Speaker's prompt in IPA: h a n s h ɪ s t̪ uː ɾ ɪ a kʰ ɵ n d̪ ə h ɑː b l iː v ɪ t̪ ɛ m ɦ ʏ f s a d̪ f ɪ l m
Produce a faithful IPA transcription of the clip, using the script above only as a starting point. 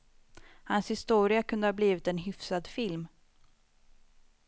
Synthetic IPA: h a n s h ɪ s t̪ uː ɾ ɪ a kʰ ɵ n d̪ ə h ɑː b l iː v ɪ t̪ ɛ n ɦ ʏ f s a d̪ f ɪ l m